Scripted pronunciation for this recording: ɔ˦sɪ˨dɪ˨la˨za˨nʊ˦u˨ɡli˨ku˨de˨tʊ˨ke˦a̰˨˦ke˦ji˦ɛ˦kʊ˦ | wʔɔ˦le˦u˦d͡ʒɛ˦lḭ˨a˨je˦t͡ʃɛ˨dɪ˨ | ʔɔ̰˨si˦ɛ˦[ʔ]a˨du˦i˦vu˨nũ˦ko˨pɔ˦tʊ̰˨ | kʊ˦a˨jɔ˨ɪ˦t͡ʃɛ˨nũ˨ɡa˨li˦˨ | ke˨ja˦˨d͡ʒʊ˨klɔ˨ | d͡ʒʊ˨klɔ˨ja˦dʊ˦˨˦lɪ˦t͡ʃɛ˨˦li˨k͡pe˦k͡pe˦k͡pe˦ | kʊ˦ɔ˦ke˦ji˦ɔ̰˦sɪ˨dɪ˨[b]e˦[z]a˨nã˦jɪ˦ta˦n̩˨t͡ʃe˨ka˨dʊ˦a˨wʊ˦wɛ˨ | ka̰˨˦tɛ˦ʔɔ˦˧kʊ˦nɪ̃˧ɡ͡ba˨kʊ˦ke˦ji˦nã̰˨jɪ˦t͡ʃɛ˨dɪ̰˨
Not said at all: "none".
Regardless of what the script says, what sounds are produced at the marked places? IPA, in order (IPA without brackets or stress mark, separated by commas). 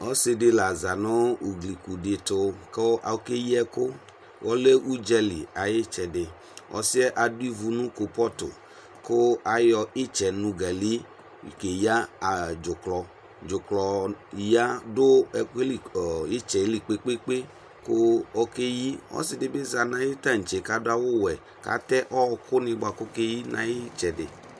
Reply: ʔ, b, z